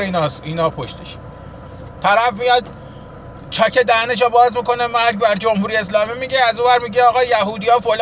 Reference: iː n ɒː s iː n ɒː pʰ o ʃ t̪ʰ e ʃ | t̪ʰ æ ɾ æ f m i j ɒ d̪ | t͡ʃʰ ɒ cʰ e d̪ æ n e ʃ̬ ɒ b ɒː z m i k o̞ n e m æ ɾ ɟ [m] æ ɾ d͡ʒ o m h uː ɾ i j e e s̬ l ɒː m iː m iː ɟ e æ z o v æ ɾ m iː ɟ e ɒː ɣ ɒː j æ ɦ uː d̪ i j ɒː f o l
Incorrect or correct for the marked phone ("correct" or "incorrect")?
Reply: incorrect